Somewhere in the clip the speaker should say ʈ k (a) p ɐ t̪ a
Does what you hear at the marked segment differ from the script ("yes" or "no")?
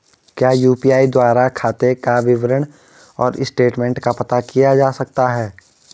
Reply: no